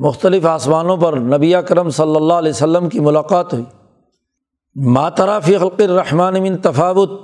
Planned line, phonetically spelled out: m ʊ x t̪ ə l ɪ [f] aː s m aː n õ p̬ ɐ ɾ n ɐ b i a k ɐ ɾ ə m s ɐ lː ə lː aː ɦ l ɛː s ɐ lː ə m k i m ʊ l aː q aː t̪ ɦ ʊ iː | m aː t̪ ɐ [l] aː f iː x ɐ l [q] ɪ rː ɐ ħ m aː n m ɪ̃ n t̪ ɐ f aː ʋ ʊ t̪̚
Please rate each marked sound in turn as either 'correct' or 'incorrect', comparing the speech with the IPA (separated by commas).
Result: correct, incorrect, correct